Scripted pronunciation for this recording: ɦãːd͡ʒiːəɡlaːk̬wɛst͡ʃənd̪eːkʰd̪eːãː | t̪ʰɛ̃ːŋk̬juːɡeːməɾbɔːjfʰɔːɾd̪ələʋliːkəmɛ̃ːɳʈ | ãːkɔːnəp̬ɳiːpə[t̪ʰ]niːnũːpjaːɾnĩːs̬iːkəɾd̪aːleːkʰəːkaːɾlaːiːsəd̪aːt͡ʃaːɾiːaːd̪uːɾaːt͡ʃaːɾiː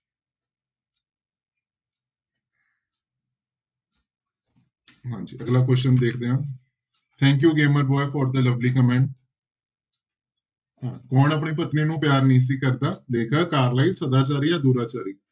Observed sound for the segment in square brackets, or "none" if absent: t̪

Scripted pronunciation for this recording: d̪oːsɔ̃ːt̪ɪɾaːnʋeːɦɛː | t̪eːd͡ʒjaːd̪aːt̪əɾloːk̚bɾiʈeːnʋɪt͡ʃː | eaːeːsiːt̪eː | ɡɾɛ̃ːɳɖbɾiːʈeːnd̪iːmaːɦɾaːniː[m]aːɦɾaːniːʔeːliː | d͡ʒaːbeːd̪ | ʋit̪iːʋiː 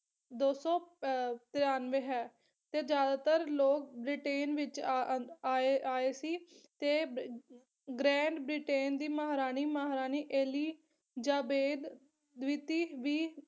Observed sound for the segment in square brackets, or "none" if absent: m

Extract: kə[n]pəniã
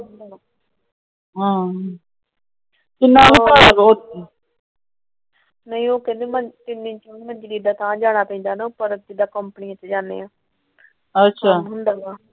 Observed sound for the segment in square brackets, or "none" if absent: m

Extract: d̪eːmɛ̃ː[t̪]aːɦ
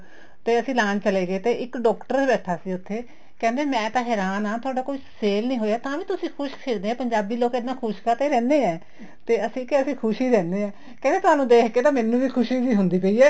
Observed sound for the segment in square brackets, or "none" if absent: t̪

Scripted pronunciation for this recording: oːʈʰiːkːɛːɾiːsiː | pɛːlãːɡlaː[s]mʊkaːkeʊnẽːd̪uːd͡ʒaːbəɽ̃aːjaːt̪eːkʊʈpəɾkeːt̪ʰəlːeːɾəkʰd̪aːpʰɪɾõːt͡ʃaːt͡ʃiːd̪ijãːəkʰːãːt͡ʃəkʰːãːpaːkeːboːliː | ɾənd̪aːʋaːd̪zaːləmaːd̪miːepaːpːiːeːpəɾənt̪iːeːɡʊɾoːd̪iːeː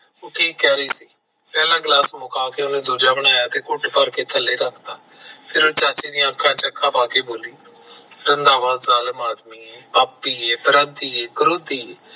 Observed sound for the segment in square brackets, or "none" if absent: s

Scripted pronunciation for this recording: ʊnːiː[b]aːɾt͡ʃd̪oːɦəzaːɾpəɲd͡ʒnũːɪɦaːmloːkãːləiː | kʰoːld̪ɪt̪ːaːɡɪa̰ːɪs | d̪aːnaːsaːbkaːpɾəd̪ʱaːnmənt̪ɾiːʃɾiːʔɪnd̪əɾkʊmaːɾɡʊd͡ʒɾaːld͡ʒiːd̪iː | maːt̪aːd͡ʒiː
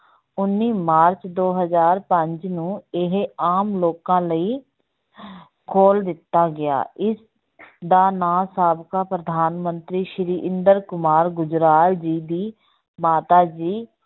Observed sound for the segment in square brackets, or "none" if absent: m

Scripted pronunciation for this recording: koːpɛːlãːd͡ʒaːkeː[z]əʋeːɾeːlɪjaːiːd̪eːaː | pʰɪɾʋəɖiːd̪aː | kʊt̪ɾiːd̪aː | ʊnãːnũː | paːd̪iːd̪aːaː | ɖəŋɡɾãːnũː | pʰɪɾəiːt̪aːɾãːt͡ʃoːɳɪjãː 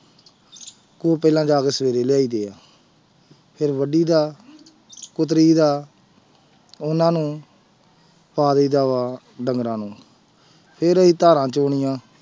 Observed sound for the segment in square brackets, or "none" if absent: s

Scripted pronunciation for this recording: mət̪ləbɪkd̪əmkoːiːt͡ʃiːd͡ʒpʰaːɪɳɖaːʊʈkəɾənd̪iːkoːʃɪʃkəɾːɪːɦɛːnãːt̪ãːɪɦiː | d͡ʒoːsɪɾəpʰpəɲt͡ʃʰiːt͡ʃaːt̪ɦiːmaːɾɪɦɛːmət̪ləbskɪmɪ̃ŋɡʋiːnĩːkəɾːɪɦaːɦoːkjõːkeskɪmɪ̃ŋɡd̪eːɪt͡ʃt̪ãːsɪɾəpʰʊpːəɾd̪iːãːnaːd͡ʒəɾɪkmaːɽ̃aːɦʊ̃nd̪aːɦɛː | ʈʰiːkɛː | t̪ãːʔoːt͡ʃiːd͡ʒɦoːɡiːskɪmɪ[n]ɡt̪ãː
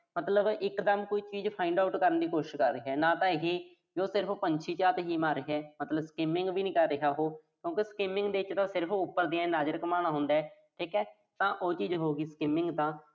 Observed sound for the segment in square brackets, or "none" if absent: ŋ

